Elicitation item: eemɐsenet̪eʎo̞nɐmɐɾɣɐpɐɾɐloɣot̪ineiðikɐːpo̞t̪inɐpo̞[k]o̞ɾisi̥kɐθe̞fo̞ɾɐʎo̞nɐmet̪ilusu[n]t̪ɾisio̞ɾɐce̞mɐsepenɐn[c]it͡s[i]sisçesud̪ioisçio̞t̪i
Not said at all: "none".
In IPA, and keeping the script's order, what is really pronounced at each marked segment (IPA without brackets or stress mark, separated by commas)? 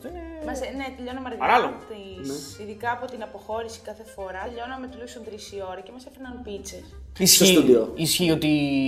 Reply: x, n, p, e